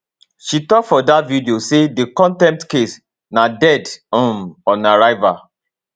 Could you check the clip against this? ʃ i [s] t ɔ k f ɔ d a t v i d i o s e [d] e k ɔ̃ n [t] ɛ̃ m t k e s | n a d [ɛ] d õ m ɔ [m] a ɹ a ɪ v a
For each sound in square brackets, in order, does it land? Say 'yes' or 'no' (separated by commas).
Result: no, yes, yes, yes, no